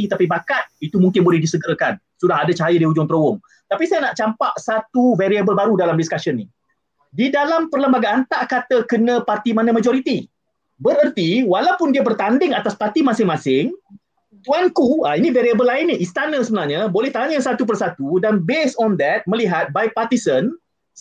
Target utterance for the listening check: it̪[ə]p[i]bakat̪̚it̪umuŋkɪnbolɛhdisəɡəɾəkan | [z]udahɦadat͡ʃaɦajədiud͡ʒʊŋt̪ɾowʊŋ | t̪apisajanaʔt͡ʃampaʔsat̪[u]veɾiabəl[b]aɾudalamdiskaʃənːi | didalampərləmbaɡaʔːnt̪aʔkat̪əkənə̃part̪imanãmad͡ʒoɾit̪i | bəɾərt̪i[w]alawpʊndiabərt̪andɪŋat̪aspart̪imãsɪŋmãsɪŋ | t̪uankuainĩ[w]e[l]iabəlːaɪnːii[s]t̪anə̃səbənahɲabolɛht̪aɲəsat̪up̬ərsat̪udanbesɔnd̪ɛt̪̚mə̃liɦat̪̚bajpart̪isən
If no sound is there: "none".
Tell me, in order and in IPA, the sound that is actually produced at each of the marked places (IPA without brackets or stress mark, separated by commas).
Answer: a, i, s, u, b, w, v, ɾ, s